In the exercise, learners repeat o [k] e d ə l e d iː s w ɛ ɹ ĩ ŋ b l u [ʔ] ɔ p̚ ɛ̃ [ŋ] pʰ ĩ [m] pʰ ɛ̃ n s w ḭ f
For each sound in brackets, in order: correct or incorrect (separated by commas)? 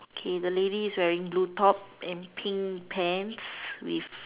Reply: incorrect, incorrect, incorrect, incorrect